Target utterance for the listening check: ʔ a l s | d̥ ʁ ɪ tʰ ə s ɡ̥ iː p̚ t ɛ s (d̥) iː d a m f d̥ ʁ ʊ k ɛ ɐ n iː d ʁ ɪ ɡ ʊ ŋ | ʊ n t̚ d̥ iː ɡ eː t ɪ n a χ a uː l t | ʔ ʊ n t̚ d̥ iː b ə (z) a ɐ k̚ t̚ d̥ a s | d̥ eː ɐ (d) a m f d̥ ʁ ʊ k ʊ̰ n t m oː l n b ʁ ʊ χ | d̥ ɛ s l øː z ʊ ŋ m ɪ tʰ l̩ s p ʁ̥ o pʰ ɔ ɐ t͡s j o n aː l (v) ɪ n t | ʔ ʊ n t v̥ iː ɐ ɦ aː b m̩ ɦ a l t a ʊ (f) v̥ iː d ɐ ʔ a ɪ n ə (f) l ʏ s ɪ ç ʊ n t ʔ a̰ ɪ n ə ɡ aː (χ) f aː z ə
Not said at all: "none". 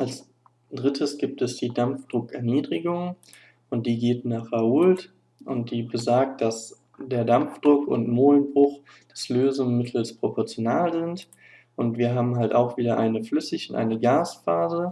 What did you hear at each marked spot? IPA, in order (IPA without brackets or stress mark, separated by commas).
d̥, z, d, z, x, f, s